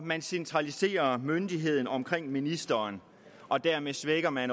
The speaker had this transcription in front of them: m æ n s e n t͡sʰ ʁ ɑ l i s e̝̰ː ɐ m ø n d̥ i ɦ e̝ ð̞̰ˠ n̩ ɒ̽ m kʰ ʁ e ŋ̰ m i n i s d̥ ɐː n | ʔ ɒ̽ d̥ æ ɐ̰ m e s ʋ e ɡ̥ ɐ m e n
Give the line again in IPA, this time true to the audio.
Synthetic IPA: m æ n s e n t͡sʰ ʁ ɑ l i s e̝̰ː ɐ m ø n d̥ i ɦ e̝ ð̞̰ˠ n̩ ɒ̽ m kʰ ʁ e ŋ̰ m i n i s d̥ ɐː n | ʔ ɒ̽ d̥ æ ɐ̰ m e s ʋ e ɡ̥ ɐ m æ n